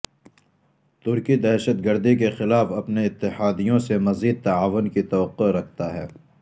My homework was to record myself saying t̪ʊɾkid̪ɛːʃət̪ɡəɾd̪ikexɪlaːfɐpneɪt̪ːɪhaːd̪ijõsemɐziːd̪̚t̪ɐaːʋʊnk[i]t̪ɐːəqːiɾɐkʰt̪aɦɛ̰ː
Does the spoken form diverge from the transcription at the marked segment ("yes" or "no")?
no